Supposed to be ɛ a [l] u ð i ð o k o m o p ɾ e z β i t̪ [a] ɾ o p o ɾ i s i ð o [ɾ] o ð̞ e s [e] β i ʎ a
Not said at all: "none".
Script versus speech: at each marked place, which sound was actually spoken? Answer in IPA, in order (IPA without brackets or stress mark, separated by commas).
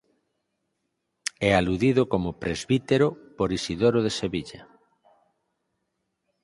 l, e, ɾ, e